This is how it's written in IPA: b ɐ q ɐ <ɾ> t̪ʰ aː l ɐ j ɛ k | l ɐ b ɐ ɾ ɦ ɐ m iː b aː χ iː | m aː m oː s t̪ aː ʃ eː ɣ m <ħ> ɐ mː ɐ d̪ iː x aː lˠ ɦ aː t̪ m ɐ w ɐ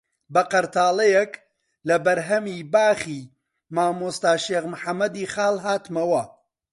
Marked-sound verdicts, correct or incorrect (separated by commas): correct, correct